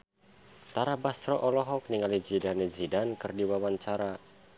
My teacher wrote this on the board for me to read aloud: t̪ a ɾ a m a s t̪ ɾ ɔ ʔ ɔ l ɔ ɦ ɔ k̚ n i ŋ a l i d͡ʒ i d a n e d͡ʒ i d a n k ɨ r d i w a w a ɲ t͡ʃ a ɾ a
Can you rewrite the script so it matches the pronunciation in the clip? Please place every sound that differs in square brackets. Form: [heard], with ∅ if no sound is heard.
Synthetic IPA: t̪ a ɾ a [b] a s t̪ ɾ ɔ ʔ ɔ l ɔ ɦ ɔ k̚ n i ŋ a l i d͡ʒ i d a n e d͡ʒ i d a n k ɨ r d i w a w a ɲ t͡ʃ a ɾ a